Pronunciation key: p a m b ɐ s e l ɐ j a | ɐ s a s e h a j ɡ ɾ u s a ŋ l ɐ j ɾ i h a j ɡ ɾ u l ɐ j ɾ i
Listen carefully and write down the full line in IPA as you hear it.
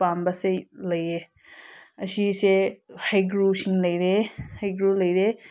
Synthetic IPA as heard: p a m b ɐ s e l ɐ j e | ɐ s i s e h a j ɡ ɾ u s i ŋ l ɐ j ɾ e h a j ɡ ɾ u l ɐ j ɾ e